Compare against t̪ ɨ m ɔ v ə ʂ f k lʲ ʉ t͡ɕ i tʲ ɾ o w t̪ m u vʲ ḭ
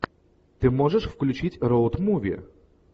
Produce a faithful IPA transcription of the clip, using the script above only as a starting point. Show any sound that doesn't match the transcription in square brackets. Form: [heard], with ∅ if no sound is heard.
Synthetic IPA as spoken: t̪ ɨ m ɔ [ʐ] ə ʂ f k lʲ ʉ t͡ɕ i tʲ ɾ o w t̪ m u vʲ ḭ